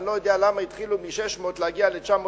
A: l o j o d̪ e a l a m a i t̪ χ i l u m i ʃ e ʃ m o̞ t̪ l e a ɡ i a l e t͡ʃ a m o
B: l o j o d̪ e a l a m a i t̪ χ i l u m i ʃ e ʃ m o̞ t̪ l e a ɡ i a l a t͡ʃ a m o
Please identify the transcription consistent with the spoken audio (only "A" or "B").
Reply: A